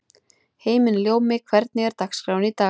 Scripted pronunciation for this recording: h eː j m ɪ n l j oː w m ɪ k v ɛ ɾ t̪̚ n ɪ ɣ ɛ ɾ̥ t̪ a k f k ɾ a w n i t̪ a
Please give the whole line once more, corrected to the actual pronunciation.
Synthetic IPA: h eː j m ɪ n l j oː w m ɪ kʰ v ɛ ɾ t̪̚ n ɪ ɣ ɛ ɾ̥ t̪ a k s k ɾ a w n i t̪ a